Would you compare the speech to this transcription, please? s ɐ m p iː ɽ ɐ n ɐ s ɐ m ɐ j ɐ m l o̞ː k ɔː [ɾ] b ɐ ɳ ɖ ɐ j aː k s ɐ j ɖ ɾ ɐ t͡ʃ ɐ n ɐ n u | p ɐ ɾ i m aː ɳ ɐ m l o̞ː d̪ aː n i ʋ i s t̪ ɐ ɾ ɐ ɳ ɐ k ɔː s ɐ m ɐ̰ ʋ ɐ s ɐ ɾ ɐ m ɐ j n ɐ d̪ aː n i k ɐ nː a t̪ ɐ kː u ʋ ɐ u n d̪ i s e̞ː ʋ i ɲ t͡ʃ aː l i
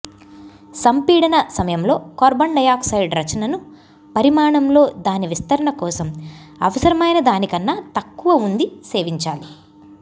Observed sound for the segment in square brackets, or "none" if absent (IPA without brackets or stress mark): ɾ